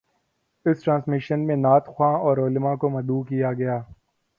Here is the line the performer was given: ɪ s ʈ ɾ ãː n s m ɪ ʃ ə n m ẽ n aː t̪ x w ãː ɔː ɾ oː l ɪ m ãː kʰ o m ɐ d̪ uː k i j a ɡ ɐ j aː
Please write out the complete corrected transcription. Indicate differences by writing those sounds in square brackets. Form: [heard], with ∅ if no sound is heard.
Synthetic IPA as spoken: ɪ s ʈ ɾ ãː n s m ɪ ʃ ə n m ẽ n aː t̪ x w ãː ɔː ɾ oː l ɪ m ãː [k] o m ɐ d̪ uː k i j a ɡ ɐ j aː

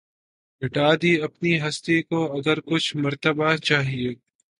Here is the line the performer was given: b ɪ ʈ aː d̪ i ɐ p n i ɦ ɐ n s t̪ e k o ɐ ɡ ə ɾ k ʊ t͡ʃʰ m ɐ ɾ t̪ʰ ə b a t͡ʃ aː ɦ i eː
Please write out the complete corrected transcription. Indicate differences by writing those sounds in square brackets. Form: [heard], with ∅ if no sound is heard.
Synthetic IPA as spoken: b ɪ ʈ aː d̪ i ɐ p n i ɦ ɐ [∅] s t̪ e k o ɐ ɡ ə ɾ k ʊ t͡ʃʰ m ɐ ɾ [t̪] ə b a t͡ʃ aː ɦ i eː

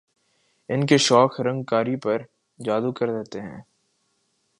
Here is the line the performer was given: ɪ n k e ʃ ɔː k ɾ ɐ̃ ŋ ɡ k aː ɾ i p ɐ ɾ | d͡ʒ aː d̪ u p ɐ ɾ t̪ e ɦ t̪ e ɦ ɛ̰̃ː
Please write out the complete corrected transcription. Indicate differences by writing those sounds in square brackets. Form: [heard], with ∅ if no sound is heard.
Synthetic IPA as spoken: ɪ n k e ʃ ɔː k ɾ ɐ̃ ŋ ɡ k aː ɾ i p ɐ ɾ | d͡ʒ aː d̪ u [k] ɐ ɾ [d̪] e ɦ t̪ e ɦ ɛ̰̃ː

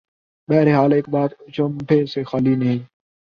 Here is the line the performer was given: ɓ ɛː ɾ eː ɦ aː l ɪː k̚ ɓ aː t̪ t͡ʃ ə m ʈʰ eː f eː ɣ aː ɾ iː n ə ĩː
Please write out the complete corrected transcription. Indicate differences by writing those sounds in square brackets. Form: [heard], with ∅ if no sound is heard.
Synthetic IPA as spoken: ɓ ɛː ɾ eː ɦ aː l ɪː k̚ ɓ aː t̪ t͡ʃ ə m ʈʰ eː [s] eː [x] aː [l] iː n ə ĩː

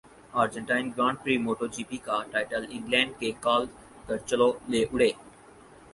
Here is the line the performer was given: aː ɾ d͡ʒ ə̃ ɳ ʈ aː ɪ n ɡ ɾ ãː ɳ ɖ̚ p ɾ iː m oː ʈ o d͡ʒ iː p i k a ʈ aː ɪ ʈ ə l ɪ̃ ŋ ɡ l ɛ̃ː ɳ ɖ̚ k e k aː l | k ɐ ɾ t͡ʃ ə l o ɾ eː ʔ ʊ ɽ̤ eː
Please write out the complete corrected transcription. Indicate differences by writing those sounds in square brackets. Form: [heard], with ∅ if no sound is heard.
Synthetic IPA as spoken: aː ɾ d͡ʒ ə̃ ɳ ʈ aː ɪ n ɡ ɾ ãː ɳ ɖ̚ p ɾ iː m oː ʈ o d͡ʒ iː p i k a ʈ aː ɪ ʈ ə l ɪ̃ ŋ ɡ l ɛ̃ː ɳ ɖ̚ k e k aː l | k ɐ ɾ t͡ʃ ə l o [l] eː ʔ ʊ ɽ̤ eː

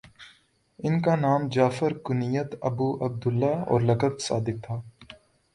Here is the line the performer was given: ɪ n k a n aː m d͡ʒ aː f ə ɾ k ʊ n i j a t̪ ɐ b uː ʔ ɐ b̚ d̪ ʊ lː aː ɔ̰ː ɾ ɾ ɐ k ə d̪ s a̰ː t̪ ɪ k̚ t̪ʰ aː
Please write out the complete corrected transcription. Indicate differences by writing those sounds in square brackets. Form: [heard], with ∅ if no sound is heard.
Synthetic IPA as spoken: ɪ n k a n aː m d͡ʒ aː f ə ɾ k ʊ n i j [ə] t̪ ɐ b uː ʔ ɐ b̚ d̪ ʊ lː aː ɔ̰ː ɾ [l] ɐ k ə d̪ s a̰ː [d̪] ɪ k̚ t̪ʰ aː

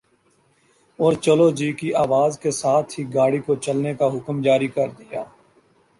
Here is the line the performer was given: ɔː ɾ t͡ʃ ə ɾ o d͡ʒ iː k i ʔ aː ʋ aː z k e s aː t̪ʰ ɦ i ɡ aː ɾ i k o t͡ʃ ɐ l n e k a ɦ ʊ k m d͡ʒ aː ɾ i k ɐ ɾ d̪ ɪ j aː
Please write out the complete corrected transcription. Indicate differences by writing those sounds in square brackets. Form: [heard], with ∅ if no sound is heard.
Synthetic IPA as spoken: ɔː ɾ t͡ʃ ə [l] o d͡ʒ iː k i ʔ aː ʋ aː z k e s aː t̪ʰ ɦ i ɡ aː [ɽ] i k o t͡ʃ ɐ l n e k a ɦ ʊ k m d͡ʒ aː ɾ i k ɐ ɾ d̪ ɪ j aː

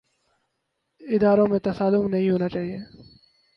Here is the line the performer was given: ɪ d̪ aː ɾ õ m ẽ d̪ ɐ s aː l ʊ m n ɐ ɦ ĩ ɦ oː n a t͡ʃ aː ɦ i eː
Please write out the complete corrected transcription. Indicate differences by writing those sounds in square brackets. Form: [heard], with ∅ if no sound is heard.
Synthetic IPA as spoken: ɪ d̪ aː ɾ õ m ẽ [t̪] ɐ s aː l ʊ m n ɐ ɦ ĩ ɦ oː n a t͡ʃ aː ɦ i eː

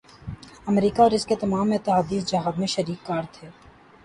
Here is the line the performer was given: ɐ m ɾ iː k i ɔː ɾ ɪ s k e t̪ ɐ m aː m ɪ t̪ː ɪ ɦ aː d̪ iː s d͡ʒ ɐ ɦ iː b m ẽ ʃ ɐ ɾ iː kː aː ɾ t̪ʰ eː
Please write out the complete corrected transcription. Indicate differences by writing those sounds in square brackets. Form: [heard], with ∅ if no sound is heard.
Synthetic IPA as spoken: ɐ m ɾ iː k [a] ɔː ɾ ɪ s k e t̪ ɐ m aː m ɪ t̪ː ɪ ɦ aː d̪ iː s d͡ʒ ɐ ɦ [aː] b m ẽ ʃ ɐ ɾ iː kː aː ɾ t̪ʰ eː

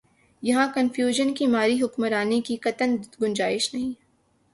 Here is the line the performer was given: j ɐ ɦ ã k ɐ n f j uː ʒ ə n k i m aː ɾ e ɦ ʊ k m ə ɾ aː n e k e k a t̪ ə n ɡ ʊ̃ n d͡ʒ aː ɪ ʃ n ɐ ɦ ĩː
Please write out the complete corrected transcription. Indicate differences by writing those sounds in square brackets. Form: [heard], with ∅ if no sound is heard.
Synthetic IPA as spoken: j ɐ ɦ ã k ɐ n f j uː ʒ ə n k i m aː ɾ [i] ɦ ʊ k m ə ɾ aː n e k [i] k [ɐ] t̪ ə n ɡ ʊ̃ n d͡ʒ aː ɪ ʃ n ɐ ɦ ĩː

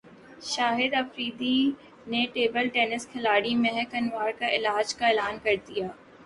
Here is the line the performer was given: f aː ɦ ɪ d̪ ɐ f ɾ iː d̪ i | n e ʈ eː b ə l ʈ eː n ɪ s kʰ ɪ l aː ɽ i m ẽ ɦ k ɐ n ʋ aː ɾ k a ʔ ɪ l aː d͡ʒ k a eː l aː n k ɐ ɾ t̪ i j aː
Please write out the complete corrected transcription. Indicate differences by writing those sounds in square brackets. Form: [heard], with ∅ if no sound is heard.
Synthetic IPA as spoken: [ʃ] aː ɦ ɪ d̪ ɐ f ɾ iː d̪ i | n e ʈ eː b ə l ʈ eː n ɪ s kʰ ɪ l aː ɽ i m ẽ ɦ k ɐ n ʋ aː ɾ k a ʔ ɪ l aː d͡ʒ k a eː l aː n k ɐ ɾ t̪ i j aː

